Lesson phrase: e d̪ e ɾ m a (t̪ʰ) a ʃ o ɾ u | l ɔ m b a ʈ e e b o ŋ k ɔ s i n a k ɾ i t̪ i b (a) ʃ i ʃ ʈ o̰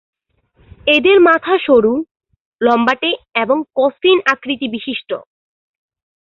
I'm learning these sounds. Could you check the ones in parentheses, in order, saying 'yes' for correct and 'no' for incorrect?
yes, no

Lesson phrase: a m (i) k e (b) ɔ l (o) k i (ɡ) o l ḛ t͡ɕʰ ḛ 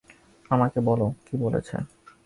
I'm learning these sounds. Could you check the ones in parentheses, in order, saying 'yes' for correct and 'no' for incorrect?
no, yes, yes, no

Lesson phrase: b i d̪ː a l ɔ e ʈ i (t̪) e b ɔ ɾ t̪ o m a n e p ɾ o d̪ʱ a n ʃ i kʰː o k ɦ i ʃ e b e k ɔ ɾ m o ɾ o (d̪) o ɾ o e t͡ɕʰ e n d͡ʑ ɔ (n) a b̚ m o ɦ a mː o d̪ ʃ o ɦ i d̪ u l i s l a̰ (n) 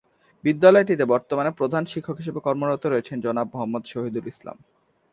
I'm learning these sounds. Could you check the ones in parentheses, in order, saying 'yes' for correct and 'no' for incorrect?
yes, no, yes, no

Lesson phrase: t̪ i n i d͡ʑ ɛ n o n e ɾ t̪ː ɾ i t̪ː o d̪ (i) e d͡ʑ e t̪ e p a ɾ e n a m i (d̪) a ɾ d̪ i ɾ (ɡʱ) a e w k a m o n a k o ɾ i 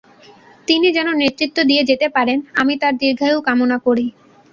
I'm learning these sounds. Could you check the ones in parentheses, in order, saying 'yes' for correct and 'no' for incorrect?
yes, no, yes

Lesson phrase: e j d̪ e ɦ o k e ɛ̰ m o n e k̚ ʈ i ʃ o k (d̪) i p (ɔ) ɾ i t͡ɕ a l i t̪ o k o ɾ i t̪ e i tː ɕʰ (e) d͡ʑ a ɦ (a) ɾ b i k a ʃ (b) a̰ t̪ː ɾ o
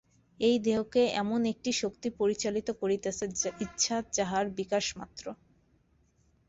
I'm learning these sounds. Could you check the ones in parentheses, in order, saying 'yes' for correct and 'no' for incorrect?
no, no, no, yes, no

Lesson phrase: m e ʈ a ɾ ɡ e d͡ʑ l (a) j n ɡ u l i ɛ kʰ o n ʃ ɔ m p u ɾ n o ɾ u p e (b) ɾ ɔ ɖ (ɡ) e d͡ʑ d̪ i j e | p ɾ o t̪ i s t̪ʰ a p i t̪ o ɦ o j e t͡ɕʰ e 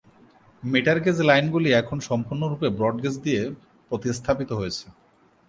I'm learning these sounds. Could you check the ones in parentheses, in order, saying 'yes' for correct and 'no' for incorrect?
yes, yes, yes

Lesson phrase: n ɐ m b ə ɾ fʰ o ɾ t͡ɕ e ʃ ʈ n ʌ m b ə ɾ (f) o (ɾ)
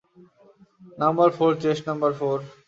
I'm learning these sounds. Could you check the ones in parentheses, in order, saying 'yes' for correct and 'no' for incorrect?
yes, yes

